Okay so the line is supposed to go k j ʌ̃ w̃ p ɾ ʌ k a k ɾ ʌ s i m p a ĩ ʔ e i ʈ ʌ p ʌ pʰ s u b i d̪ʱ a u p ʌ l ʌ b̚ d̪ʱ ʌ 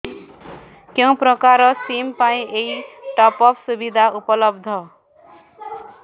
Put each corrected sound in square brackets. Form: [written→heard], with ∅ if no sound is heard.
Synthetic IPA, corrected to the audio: k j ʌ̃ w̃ p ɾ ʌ k a [k→∅] ɾ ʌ s i m p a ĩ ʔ e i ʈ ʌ p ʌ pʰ s u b i d̪ʱ a u p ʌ l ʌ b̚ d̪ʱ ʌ